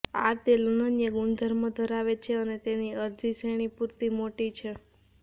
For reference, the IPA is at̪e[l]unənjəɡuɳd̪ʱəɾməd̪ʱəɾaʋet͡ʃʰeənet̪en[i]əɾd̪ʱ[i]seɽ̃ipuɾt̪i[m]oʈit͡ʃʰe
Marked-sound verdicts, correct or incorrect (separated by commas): correct, correct, correct, correct